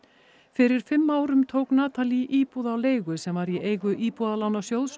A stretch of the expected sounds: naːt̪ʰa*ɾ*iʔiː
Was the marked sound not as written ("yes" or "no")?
yes